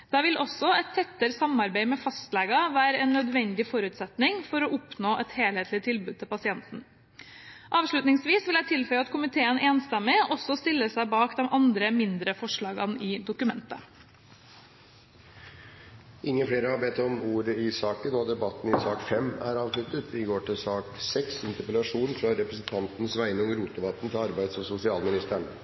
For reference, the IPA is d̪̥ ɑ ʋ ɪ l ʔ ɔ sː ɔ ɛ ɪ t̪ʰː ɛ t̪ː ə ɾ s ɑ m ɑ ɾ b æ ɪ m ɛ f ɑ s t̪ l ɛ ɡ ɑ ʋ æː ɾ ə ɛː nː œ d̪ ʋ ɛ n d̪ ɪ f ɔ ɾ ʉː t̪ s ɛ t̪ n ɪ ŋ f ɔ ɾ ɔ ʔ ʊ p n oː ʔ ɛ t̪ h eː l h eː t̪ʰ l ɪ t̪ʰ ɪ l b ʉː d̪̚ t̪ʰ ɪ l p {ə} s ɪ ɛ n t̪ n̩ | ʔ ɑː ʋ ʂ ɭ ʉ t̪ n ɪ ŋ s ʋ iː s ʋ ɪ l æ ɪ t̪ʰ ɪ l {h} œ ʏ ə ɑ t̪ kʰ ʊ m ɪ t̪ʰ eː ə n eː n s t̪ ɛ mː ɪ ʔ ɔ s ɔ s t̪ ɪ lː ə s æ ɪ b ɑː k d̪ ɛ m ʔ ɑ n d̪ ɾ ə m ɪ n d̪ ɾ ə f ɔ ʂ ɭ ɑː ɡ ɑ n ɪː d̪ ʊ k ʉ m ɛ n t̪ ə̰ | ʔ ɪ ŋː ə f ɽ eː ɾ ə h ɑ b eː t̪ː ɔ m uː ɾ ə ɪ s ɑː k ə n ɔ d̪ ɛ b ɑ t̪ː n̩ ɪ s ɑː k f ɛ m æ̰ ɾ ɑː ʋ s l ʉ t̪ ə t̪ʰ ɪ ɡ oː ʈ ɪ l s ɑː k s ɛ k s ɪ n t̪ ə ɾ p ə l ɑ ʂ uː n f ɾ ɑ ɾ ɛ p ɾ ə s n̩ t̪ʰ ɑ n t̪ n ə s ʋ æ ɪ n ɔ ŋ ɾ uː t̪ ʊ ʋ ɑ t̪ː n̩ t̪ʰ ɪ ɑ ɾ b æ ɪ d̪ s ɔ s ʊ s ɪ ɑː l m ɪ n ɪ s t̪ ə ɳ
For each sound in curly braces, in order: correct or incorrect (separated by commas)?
incorrect, incorrect